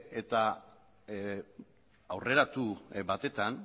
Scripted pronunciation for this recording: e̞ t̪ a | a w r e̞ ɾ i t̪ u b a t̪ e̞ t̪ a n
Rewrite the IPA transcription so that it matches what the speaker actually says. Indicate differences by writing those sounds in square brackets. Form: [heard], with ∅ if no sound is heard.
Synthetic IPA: e̞ t̪ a | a w r e̞ ɾ [a] t̪ u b a t̪ e̞ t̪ a n